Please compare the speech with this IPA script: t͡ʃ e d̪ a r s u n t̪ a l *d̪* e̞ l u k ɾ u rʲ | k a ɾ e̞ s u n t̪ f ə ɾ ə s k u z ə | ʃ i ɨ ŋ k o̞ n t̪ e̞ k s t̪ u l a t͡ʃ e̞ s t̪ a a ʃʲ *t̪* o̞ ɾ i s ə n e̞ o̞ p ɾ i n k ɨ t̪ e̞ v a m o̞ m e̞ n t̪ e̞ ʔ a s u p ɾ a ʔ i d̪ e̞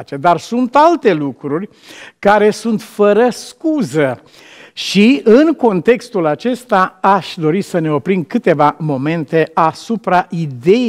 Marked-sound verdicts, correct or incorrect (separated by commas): incorrect, incorrect